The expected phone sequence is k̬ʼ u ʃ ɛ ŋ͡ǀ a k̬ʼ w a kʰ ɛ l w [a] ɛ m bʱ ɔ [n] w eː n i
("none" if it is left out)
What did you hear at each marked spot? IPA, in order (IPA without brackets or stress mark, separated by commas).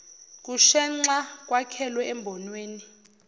ɛ, n